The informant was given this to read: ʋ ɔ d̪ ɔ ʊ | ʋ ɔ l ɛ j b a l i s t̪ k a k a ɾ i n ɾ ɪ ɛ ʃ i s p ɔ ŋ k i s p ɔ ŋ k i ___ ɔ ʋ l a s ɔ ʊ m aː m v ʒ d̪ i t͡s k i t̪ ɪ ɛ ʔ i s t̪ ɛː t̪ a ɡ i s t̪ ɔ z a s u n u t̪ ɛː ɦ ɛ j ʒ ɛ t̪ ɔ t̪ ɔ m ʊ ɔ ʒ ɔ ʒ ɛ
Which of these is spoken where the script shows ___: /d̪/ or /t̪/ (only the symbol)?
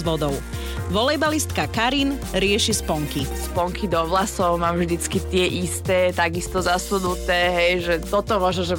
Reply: d̪